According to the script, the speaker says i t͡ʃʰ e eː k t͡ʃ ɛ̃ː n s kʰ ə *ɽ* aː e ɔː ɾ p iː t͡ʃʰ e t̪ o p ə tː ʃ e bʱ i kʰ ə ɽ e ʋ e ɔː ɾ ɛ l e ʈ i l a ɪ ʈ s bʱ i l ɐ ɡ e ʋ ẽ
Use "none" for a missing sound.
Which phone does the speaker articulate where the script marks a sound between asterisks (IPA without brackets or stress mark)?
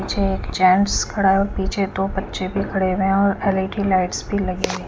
ɽ